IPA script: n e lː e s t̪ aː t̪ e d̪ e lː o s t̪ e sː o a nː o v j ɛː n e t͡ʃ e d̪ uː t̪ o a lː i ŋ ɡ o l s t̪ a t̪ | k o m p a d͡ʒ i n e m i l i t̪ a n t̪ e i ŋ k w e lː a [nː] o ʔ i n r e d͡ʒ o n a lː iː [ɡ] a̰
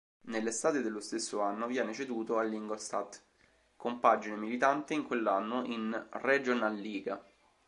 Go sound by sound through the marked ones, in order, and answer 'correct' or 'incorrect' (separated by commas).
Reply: correct, correct